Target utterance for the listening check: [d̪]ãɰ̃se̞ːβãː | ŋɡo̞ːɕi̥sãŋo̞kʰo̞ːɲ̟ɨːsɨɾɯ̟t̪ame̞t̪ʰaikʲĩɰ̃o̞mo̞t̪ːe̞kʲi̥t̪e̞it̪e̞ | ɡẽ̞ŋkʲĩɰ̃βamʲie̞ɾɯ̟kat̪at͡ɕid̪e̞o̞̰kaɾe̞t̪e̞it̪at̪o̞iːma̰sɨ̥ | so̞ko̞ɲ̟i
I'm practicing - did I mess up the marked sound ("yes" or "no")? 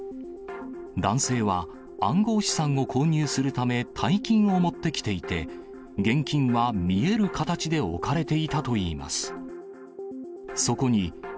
no